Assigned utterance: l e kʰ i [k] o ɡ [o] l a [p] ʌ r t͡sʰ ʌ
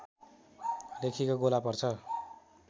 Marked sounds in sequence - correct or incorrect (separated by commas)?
correct, correct, correct